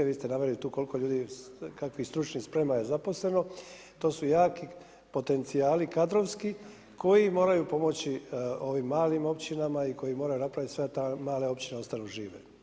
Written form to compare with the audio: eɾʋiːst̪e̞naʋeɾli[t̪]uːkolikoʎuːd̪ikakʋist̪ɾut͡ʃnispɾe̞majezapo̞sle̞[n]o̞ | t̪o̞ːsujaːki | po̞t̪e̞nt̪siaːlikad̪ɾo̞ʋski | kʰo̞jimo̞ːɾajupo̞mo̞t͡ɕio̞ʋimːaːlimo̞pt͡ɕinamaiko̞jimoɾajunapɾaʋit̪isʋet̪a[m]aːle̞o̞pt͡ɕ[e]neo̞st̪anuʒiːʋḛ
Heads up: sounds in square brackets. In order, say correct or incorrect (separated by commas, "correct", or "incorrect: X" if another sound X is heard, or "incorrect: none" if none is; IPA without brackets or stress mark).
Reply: correct, correct, correct, incorrect: i